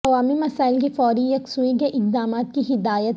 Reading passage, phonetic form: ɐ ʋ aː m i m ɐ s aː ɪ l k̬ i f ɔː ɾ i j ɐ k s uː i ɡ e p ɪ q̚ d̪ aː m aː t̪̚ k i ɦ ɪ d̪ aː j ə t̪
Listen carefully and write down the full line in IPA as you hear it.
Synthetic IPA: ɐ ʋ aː m i m ɐ s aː ɪ l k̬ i f ɔː ɾ i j ɐ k s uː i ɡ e ʔ ɪ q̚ d̪ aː m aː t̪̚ k i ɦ ɪ d̪ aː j ə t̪